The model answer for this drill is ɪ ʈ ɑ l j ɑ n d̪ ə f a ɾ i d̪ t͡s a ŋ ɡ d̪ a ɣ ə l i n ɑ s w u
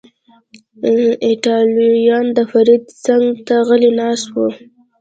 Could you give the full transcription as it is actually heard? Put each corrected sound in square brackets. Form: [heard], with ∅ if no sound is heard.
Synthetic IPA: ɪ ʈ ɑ l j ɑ n d̪ ə f a ɾ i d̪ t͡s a ŋ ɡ [t̪] a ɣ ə l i n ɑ s w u